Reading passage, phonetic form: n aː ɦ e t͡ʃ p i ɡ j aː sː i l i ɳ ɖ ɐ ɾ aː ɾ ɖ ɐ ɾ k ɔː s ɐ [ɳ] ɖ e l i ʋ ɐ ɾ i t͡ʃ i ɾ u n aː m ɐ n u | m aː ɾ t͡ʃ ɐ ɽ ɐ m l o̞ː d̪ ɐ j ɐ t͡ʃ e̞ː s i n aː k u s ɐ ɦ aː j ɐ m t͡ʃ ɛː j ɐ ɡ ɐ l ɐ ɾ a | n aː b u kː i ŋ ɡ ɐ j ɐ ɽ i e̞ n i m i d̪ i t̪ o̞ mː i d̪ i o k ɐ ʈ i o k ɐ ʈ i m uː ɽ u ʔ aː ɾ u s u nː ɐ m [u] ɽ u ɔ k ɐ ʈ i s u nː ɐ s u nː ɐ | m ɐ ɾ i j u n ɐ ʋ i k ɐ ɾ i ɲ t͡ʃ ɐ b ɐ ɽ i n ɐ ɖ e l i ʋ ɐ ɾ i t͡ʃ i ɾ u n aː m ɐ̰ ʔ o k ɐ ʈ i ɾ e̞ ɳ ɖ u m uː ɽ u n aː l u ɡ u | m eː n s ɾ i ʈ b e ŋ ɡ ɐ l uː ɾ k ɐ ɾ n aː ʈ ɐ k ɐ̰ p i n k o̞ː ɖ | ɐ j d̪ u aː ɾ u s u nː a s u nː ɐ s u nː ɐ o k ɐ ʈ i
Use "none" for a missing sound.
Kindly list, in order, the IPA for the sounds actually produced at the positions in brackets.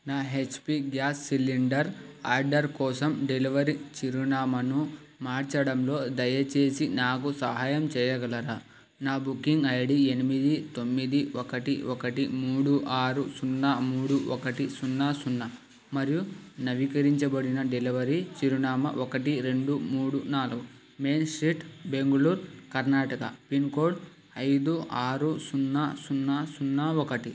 m, uː

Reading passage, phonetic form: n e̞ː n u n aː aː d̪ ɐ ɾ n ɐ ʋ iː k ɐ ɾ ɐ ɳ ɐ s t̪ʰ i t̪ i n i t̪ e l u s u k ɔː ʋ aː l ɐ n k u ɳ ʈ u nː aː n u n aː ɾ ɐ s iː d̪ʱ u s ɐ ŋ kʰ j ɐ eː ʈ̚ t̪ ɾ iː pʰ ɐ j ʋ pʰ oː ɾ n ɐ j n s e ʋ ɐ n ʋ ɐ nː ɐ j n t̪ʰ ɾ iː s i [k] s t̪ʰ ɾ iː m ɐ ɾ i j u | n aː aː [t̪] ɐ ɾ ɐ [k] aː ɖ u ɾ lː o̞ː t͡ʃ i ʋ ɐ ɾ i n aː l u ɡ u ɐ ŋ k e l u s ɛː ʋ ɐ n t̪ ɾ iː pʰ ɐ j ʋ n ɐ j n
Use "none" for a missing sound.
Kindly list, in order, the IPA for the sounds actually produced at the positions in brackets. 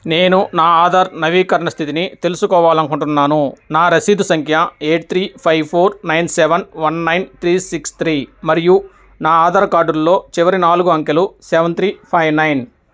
k, d̪, k

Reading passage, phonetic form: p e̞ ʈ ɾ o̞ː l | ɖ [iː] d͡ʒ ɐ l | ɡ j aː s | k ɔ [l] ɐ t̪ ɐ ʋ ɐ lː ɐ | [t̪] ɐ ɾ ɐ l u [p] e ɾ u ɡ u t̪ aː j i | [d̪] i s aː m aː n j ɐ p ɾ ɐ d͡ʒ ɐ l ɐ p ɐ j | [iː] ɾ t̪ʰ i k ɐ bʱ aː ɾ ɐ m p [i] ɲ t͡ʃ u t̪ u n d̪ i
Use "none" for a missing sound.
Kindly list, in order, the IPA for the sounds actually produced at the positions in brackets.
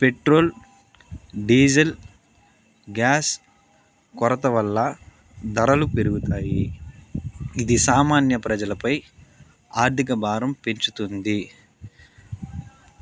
iː, ɾ, d̪, p, d̪, aː, e

